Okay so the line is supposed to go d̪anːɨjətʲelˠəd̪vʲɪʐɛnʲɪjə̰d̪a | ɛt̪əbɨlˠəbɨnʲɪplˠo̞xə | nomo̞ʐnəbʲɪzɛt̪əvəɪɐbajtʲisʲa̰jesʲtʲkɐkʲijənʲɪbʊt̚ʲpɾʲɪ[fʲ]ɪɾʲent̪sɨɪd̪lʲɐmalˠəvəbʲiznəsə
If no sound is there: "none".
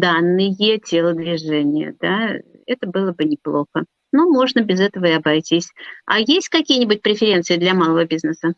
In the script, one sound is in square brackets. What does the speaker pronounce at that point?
fʲ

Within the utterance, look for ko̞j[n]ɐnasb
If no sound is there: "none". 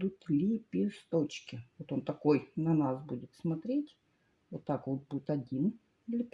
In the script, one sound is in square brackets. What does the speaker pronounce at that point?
n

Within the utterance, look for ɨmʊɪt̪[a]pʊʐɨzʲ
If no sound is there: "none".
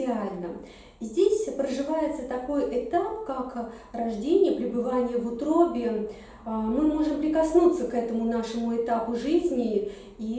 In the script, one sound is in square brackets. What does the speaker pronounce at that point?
a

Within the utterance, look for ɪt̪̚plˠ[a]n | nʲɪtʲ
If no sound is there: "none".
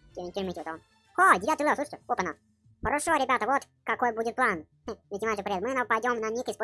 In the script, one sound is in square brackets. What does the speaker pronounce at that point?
a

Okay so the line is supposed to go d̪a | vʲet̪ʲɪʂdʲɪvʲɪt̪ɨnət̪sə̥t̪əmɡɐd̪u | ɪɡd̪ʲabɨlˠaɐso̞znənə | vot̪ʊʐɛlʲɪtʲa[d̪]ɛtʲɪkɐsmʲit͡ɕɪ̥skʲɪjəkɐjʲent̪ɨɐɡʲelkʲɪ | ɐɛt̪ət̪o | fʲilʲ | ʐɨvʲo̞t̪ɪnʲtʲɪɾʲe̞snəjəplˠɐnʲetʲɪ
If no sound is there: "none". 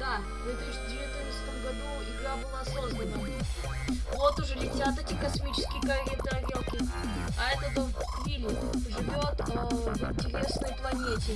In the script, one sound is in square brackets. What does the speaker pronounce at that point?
t̪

